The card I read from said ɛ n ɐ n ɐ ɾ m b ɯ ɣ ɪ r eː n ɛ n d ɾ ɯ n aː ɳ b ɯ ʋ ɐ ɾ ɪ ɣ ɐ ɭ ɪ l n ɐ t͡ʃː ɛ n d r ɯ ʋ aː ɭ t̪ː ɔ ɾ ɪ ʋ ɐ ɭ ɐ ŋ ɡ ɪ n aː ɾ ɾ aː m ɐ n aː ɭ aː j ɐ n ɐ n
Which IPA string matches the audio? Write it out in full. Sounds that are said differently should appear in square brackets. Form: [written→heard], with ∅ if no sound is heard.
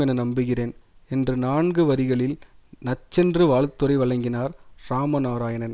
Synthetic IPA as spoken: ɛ n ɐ n ɐ [ɾ→∅] m b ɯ ɣ ɪ r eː n ɛ n d [ɾ→r] ɯ n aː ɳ [b→ɡ] ɯ ʋ ɐ ɾ ɪ ɣ ɐ ɭ ɪ l n ɐ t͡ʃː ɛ n d r ɯ ʋ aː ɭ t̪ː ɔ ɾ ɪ ʋ ɐ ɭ ɐ ŋ ɡ ɪ n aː ɾ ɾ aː m ɐ n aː [ɭ→ɾ] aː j ɐ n ɐ n